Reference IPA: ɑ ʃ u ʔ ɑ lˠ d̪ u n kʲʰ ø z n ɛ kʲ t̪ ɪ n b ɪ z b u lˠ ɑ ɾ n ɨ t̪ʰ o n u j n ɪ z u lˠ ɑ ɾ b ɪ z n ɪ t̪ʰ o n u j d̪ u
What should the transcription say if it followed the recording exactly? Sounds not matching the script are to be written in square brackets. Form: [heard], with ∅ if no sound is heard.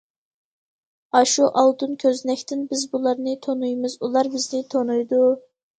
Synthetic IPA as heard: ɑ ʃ u ʔ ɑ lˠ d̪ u n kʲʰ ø z n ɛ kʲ t̪ ɪ n b ɪ z b u lˠ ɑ ɾ n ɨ t̪ʰ o n u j [m] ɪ z u lˠ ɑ ɾ b ɪ z n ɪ t̪ʰ o n u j d̪ u